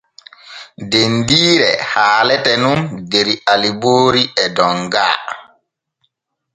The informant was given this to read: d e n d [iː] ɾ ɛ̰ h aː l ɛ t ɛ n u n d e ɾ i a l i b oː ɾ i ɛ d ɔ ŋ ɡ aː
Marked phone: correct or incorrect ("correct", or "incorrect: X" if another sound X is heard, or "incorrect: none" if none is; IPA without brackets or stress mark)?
correct